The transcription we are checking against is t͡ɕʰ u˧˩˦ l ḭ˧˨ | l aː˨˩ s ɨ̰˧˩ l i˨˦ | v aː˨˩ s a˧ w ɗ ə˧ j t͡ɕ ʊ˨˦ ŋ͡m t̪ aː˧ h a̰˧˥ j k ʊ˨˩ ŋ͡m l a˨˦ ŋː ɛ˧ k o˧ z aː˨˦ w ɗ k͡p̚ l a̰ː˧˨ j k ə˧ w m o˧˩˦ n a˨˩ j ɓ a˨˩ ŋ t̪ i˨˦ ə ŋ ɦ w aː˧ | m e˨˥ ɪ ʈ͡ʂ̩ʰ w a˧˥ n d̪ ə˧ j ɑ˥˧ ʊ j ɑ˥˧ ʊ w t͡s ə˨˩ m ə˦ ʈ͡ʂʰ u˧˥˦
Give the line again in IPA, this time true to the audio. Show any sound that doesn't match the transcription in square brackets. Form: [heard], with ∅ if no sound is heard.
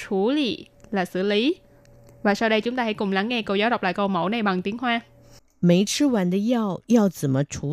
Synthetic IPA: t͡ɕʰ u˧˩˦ l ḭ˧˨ | l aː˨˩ s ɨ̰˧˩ l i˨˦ | v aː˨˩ s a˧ w ɗ ə˧ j t͡ɕ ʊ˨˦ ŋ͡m t̪ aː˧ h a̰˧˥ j k ʊ˨˩ ŋ͡m l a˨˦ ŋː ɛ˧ k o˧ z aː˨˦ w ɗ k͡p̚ l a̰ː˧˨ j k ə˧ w m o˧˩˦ n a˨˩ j ɓ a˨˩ ŋ t̪ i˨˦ ə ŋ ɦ w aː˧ | m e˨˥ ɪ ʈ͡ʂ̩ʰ w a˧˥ n d̪ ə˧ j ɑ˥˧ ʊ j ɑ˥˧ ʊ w t͡s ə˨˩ m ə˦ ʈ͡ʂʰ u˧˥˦